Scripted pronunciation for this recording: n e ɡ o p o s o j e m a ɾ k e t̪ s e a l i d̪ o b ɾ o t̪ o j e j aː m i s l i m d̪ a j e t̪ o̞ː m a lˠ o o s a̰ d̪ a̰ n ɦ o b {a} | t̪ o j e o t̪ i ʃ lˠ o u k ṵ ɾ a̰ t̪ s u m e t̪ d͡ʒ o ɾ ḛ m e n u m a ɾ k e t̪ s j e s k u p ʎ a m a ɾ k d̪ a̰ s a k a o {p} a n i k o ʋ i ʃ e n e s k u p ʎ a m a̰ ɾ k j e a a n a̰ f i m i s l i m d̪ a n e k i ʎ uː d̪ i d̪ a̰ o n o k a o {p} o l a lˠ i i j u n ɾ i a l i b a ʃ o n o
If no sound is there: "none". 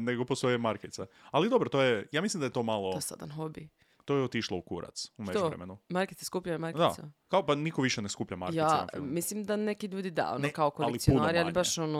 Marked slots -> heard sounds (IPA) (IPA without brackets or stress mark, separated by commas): i, p, k